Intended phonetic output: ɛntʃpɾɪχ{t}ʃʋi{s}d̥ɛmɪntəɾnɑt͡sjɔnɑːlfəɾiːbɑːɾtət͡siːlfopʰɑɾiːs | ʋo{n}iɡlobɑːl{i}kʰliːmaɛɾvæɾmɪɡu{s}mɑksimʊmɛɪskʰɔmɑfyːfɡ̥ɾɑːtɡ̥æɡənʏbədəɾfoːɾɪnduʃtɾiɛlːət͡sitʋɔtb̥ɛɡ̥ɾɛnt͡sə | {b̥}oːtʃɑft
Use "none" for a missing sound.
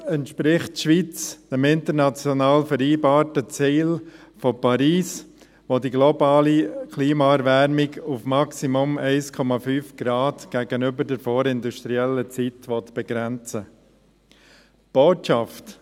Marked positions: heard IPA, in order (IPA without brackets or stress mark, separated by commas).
t, t͡s, d, i, f, b̥